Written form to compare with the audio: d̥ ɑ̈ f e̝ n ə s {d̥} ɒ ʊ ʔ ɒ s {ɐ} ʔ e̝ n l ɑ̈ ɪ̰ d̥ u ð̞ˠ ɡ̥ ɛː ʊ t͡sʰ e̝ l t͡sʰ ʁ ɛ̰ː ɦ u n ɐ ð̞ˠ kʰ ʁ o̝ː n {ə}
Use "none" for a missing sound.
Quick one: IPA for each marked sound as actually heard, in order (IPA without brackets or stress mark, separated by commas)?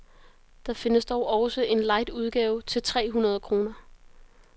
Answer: d̥, ə, ɐ